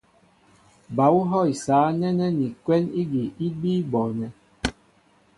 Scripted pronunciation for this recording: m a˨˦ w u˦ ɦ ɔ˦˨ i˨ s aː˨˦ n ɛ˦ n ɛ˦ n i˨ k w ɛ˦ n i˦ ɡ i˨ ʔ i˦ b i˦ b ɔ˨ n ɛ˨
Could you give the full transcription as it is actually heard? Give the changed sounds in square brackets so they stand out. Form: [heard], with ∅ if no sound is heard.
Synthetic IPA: [b] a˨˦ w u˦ ɦ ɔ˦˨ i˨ s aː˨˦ n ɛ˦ n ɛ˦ n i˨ k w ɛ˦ n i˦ ɡ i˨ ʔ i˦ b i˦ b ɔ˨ n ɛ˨